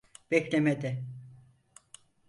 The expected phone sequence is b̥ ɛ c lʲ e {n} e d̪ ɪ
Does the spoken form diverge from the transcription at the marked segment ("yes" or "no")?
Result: yes